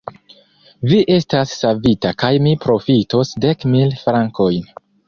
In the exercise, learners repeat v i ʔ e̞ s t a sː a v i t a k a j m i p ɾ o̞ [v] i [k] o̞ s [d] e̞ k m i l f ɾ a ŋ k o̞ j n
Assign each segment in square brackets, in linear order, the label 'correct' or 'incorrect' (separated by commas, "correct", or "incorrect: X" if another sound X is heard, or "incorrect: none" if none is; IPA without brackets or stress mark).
incorrect: f, incorrect: t, correct